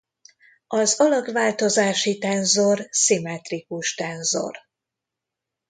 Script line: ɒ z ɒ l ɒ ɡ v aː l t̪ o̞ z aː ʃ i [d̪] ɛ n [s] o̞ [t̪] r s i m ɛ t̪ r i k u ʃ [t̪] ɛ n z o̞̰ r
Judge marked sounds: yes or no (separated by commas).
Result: no, no, no, yes